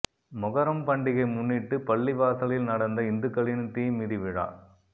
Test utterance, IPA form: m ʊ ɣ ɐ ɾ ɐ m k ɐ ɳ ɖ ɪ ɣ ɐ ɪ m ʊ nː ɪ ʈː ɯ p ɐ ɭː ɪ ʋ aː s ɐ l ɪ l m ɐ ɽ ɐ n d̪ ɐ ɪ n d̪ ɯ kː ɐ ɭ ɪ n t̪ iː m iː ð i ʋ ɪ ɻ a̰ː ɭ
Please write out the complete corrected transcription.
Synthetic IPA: m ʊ ɣ ɐ ɾ ɐ m p ɐ ɳ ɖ ɪ ɣ ɐ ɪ m ʊ nː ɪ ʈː ɯ p ɐ ɭː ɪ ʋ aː s ɐ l ɪ l n ɐ ɽ ɐ n d̪ ɐ ɪ n d̪ ɯ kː ɐ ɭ ɪ n t̪ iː m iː ð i ʋ ɪ ɻ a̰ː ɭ